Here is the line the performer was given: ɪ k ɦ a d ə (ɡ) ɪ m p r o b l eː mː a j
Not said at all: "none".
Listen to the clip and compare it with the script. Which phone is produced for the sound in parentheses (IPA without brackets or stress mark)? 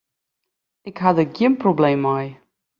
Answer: ɡ